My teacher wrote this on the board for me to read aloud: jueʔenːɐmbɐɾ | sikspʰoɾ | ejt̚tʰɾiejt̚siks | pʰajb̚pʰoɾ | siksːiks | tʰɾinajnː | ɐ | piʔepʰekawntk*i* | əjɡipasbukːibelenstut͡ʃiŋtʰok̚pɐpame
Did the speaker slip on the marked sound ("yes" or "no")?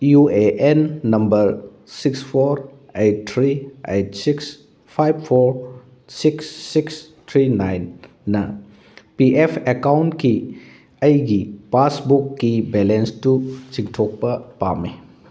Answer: no